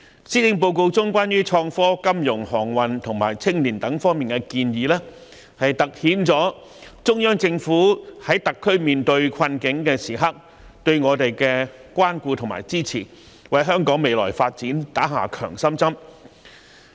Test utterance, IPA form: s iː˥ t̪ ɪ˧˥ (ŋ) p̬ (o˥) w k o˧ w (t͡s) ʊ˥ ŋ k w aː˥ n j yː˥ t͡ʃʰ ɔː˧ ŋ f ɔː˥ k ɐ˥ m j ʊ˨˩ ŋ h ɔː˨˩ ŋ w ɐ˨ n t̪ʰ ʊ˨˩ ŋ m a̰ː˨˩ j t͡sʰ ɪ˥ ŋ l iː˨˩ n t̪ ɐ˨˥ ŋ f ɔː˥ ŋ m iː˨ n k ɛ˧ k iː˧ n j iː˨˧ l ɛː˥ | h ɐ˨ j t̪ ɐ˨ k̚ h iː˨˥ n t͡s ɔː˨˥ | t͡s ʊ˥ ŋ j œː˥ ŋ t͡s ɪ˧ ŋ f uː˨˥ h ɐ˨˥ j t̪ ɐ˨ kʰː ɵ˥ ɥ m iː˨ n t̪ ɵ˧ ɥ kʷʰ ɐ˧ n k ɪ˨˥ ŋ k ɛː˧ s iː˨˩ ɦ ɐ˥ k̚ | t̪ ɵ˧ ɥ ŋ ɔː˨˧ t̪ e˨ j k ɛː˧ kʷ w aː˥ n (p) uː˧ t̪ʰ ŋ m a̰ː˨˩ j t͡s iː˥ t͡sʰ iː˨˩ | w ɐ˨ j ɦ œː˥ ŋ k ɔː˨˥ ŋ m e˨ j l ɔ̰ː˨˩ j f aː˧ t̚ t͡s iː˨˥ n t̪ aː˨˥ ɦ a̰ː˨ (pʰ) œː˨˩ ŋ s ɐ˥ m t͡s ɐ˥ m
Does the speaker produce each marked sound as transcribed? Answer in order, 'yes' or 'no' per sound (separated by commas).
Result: yes, no, yes, no, no